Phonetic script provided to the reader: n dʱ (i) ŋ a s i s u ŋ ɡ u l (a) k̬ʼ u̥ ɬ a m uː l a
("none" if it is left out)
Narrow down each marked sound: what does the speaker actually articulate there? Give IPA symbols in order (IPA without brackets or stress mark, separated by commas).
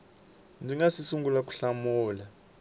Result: i, a